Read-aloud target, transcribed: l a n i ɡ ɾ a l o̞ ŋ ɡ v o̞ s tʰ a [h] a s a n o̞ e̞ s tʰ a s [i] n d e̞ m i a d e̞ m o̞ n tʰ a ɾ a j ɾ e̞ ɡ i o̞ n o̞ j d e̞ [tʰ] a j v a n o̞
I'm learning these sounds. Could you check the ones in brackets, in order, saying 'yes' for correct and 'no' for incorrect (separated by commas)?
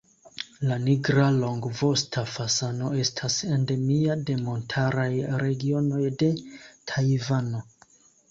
no, no, yes